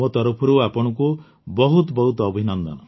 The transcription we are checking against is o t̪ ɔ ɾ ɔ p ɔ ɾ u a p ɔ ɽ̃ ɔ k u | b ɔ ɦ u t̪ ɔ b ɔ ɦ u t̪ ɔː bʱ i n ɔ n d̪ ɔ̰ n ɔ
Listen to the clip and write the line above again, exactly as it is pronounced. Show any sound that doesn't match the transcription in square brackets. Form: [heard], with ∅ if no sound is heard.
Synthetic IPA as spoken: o t̪ ɔ ɾ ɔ [pʰ] ɔ ɾ u a p ɔ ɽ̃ ɔ k u | b ɔ ɦ u t̪ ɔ b ɔ ɦ u t̪ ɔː bʱ i n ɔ n d̪ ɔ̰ n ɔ

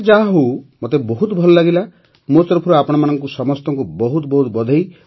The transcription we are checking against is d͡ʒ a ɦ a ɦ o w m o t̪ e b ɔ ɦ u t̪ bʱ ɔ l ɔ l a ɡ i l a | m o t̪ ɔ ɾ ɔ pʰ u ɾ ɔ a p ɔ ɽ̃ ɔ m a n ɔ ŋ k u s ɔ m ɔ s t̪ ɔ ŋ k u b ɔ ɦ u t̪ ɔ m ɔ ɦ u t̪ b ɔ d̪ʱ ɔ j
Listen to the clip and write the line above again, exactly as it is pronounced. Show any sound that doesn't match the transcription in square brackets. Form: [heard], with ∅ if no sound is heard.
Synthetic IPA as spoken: d͡ʒ a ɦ a ɦ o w m o t̪ e b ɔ ɦ u t̪ bʱ ɔ l ɔ l a ɡ i l a | m o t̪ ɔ ɾ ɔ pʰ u ɾ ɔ a p ɔ ɽ̃ ɔ m a n ɔ ŋ k u s ɔ m ɔ s t̪ ɔ ŋ k u b ɔ ɦ u t̪ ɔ [b] ɔ ɦ u t̪ b ɔ d̪ʱ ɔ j

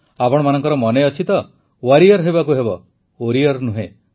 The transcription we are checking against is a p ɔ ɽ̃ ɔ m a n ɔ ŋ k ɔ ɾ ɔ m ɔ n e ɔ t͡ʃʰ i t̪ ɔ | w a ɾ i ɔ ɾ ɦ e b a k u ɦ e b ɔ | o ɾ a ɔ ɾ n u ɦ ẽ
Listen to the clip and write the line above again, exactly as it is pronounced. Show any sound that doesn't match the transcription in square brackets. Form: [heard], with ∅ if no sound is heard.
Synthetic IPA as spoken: a p ɔ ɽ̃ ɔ m a n ɔ ŋ k ɔ ɾ ɔ m ɔ n e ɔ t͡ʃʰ i t̪ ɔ | w a ɾ i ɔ ɾ ɦ e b a k u ɦ e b ɔ | o ɾ [i] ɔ ɾ n u ɦ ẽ

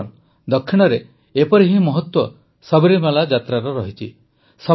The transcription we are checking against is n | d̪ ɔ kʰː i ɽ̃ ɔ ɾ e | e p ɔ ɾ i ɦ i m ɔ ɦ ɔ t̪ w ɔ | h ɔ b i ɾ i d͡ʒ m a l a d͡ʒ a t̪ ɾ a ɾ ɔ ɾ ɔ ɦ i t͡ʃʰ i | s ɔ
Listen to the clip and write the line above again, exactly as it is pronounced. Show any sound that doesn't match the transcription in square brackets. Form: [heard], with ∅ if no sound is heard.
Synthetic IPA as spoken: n | d̪ ɔ kʰː i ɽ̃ ɔ ɾ e | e p ɔ ɾ i ɦ i m ɔ ɦ ɔ t̪ w ɔ | [s] ɔ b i ɾ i [∅] m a l a d͡ʒ a t̪ ɾ a ɾ ɔ ɾ ɔ ɦ i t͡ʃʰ i | s ɔ

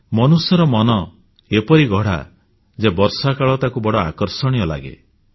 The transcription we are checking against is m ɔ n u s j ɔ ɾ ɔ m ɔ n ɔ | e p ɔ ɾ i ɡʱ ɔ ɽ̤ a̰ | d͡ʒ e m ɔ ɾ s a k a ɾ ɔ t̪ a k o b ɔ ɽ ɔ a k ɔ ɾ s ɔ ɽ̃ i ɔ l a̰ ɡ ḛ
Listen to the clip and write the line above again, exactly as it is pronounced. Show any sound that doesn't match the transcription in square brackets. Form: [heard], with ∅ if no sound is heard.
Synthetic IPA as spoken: m ɔ n u s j ɔ ɾ ɔ m ɔ n ɔ | e p ɔ ɾ i ɡʱ ɔ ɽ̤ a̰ | d͡ʒ e [b] ɔ ɾ s a k a [ɭ] ɔ t̪ a k [u] b ɔ ɽ ɔ a k ɔ ɾ s ɔ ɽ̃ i ɔ l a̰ ɡ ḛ

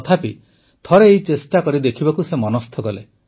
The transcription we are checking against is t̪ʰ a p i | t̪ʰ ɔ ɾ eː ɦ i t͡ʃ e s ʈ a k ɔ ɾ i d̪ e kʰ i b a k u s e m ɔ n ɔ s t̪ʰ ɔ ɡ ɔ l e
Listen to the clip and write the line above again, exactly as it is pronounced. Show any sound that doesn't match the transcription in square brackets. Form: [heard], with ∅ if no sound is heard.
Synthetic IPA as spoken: t̪ʰ a p i | t̪ʰ ɔ ɾ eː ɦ i t͡ʃ e s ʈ a k ɔ ɾ i d̪ e kʰ i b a k u s e m ɔ n ɔ s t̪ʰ ɔ ɡ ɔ l e

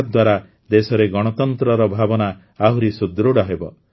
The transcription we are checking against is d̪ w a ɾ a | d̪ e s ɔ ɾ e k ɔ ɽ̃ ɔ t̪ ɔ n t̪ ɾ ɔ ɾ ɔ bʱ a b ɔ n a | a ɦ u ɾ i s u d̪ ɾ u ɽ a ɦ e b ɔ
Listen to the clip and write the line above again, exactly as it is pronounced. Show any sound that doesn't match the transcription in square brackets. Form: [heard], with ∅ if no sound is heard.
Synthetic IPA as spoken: d̪ w a ɾ a | d̪ e s ɔ ɾ e [ɡ] ɔ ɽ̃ ɔ t̪ ɔ n t̪ ɾ ɔ ɾ ɔ bʱ a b ɔ n a | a ɦ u ɾ i s u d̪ ɾ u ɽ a ɦ e b ɔ

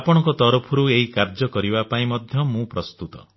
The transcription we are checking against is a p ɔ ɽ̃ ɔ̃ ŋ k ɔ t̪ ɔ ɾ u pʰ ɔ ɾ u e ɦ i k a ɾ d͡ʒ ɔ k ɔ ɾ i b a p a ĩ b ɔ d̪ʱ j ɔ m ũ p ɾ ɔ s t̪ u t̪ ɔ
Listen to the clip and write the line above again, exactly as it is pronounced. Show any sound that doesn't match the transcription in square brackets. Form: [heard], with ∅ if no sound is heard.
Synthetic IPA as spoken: a p ɔ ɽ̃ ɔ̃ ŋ k ɔ t̪ ɔ ɾ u pʰ ɔ ɾ u e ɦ i k a ɾ d͡ʒ ɔ k ɔ ɾ i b a p a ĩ [m] ɔ d̪ʱ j ɔ m ũ p ɾ ɔ s t̪ u t̪ ɔ

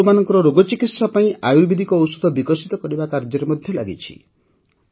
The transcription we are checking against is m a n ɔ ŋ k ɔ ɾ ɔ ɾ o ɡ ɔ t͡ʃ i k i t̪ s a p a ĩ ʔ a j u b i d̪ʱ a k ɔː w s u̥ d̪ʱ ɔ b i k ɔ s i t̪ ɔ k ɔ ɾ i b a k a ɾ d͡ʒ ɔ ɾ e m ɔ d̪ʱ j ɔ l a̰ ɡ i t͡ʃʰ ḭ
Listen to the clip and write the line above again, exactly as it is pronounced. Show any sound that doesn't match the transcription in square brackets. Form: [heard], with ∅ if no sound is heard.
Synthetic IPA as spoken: m a n ɔ ŋ k ɔ ɾ ɔ ɾ o ɡ ɔ t͡ʃ i k i t̪ s a p a ĩ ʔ a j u b i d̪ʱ [i] k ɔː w s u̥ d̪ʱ ɔ b i k ɔ s i t̪ ɔ k ɔ ɾ i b a k a ɾ d͡ʒ ɔ ɾ e m ɔ d̪ʱ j ɔ l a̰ ɡ i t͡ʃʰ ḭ

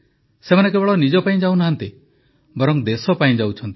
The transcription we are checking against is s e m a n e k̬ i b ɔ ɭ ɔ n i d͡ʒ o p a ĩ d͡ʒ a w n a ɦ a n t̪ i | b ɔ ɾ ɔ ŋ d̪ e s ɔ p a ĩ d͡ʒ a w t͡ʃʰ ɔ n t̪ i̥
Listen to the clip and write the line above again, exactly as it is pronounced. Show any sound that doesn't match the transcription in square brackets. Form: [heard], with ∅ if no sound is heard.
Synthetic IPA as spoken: s e m a n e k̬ [e] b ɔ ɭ ɔ n i d͡ʒ [ɔ] p a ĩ d͡ʒ a w n a ɦ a n t̪ i | b ɔ ɾ ɔ ŋ d̪ e s ɔ p a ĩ d͡ʒ a w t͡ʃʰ ɔ n t̪ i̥

